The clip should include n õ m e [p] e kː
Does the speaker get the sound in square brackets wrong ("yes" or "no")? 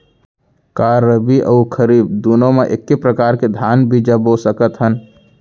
yes